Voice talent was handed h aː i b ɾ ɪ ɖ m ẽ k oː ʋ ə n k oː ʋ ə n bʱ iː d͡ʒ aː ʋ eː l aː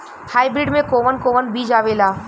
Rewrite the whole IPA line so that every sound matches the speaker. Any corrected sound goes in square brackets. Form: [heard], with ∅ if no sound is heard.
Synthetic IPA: h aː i b ɾ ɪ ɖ m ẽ k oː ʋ ə n k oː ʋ ə n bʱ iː d͡ʒ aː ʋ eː l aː